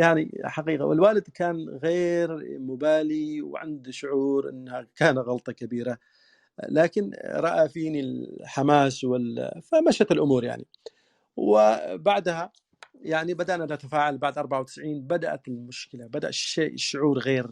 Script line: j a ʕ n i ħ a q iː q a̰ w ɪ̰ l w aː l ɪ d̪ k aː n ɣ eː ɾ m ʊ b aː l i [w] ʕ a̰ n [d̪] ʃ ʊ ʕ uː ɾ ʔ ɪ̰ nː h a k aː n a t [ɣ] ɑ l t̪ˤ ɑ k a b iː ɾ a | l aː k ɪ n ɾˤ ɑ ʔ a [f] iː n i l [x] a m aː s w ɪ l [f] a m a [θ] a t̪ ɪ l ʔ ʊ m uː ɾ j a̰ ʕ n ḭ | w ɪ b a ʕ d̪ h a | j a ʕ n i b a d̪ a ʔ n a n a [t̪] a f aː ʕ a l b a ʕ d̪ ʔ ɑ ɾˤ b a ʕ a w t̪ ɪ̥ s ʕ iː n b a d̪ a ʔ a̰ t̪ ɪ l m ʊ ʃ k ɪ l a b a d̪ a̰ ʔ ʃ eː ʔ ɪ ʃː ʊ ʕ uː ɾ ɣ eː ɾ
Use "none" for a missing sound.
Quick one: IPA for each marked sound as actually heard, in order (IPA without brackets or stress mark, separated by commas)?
w, d̪, ɣ, f, ħ, f, ʃ, t̪